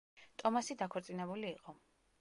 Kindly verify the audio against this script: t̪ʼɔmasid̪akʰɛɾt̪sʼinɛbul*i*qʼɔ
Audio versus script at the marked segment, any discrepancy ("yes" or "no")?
yes